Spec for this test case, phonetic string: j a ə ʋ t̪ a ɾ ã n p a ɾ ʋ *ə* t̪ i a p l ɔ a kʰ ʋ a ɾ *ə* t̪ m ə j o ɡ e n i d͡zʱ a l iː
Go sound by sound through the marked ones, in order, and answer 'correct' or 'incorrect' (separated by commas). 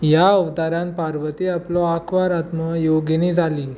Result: correct, incorrect